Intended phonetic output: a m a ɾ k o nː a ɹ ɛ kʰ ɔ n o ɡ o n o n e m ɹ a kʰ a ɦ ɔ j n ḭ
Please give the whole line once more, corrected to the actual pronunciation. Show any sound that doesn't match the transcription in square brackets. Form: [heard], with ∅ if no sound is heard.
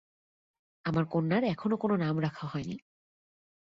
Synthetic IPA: a m a [ɹ] k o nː a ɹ ɛ kʰ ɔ n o [k] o n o n [a] m ɹ a kʰ a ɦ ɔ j n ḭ